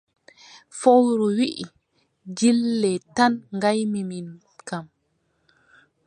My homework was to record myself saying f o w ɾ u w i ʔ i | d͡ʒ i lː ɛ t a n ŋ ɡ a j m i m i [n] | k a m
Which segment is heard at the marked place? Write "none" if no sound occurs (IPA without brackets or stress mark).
n